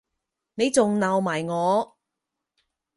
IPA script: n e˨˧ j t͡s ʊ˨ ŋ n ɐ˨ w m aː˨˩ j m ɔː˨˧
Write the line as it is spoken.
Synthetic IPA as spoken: n e˨˧ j t͡s ʊ˨ ŋ n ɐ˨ w m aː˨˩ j ŋ ɔː˨˧